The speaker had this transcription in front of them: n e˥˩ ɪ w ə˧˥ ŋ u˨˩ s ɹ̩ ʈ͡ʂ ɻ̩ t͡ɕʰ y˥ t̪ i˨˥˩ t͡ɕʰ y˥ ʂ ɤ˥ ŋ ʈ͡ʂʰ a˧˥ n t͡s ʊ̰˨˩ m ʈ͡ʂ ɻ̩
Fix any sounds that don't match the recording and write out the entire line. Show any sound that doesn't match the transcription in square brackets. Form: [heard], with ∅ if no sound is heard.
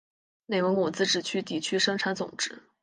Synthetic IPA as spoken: n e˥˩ ɪ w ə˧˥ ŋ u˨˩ [t͡s] ɹ̩ ʈ͡ʂ ɻ̩ t͡ɕʰ y˥ t̪ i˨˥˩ t͡ɕʰ y˥ ʂ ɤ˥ ŋ ʈ͡ʂʰ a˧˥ n t͡s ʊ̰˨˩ [ŋ] ʈ͡ʂ ɻ̩